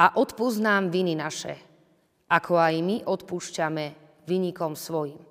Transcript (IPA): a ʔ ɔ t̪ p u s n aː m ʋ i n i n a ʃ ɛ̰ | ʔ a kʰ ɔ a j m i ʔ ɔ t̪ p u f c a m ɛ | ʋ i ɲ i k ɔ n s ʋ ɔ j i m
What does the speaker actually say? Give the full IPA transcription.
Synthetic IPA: a ʔ ɔ t̪ p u z n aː m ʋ i n i n a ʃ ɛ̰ | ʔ a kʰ ɔ a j m i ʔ ɔ t̪ p u ʃ c a m ɛ | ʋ i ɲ i k ɔ m s ʋ ɔ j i m